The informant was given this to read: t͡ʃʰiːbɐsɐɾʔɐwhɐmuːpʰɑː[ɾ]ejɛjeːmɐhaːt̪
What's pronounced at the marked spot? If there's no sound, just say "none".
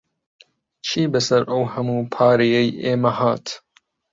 ɾ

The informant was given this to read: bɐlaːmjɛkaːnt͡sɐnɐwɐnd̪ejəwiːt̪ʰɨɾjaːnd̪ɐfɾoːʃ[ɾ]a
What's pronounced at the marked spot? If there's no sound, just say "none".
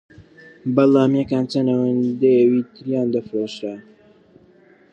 ɾ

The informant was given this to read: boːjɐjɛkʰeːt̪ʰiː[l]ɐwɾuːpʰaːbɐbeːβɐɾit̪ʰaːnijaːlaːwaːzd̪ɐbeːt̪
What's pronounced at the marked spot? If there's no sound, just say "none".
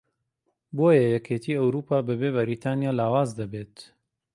none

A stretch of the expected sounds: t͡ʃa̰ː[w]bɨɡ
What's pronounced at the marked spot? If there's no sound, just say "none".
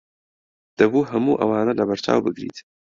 w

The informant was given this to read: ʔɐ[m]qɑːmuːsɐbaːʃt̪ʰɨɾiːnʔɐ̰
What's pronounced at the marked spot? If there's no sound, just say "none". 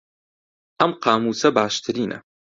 m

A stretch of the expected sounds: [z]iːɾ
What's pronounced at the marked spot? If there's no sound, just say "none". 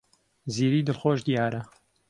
z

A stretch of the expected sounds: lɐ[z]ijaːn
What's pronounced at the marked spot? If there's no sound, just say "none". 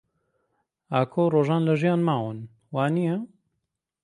ʒ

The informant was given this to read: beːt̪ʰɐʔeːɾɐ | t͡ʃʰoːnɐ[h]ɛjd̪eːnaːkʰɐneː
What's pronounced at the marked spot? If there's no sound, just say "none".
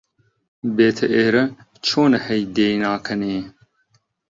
h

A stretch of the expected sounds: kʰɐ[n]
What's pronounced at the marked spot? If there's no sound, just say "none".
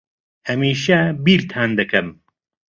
m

